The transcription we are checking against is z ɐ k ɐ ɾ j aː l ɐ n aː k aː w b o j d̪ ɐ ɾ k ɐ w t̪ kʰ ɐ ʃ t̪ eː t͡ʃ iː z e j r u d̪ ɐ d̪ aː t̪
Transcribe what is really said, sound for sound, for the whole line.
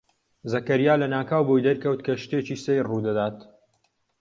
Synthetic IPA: z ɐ k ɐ ɾ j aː l ɐ n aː k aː w b o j d̪ ɐ ɾ k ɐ w t̪ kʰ ɐ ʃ t̪ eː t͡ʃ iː s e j r u d̪ ɐ d̪ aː t̪